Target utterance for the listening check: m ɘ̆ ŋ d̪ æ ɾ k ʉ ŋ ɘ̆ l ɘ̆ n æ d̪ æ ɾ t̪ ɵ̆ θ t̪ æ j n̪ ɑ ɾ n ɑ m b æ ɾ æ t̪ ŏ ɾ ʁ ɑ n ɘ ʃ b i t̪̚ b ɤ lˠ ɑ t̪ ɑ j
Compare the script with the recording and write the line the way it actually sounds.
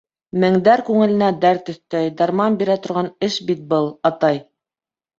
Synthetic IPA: m ɘ̆ ŋ d̪ æ ɾ k ʉ ŋ ɘ̆ l ɘ̆ n æ d̪ æ ɾ t̪ ɵ̆ θ t̪ æ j d̪ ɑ ɾ m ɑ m b i ɾ æ t̪ ŏ ɾ ʁ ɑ n ɘ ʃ b i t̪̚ b ɤ lˠ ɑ t̪ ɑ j